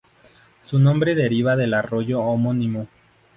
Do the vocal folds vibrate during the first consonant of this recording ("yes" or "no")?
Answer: no